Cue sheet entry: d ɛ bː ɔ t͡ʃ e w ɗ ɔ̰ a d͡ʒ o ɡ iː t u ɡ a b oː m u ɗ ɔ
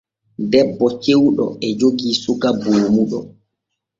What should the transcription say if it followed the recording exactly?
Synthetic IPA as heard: d ɛ bː ɔ t͡ʃ e w ɗ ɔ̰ ɛ d͡ʒ o ɡ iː s u ɡ a b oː m u ɗ ɔ